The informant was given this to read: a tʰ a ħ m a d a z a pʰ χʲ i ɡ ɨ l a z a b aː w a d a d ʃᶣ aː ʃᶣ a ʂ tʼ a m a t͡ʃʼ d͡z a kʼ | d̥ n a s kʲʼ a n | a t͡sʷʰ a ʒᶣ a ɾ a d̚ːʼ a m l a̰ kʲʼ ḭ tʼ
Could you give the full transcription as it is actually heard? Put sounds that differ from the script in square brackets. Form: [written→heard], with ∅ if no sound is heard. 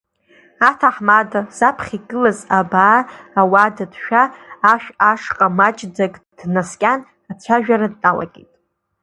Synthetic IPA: a tʰ a ħ m a d a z a pʰ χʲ i ɡ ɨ l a z a b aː w a d a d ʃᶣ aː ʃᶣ a ʂ [tʼ→qʼ] a m a t͡ʃʼ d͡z a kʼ | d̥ n a s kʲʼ a n | a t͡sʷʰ a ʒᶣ a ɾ a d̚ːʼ a [m→∅] l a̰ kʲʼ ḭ tʼ